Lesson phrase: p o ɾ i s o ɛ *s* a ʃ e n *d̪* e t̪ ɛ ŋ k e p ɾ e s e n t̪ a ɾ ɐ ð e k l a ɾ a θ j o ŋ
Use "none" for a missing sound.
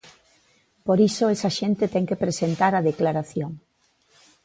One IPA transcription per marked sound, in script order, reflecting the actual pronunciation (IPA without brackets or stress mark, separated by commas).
s, t̪